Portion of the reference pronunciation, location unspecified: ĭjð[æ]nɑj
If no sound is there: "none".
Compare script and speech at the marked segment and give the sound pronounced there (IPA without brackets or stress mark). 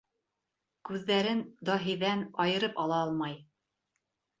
æ